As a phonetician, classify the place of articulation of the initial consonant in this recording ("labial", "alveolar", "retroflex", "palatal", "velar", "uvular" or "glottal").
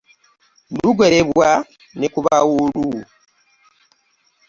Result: alveolar